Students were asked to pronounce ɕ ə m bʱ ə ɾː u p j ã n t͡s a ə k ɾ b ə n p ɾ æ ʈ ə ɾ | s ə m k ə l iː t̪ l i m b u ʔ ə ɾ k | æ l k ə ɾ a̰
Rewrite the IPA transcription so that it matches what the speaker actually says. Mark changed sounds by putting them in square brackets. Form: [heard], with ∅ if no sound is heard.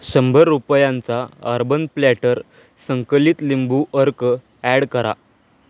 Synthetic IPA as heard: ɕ ə m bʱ ə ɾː u p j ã n t͡s a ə [∅] ɾ b ə n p [l] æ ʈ ə ɾ | s ə [ŋ] k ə l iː t̪ l i m b u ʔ ə ɾ k | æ [ɽ] k ə ɾ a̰